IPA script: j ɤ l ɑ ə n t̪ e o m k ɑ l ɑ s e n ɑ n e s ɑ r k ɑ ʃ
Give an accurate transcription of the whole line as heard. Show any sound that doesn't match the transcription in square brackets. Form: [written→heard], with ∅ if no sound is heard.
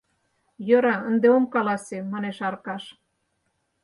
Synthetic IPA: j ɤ [l→ɾ] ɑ ə n [t̪→d̪] e o m k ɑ l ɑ s e [n→m] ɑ n e [s→ʃ] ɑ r k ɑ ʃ